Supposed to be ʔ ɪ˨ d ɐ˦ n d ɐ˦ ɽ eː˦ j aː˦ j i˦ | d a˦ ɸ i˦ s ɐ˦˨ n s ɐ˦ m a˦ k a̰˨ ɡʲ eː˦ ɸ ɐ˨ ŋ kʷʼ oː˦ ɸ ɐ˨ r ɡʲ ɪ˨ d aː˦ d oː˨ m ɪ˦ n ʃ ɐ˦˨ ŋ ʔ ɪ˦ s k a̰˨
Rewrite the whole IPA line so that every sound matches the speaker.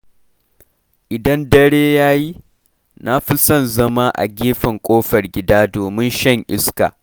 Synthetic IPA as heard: ʔ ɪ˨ d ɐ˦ n d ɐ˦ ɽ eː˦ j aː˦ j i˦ | n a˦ ɸ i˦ s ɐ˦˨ n z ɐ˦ m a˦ ʔ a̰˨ ɡʲ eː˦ ɸ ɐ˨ ŋ kʷʼ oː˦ ɸ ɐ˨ r ɡʲ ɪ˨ d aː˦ d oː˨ m ɪ˦ n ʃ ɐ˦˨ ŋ ʔ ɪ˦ s k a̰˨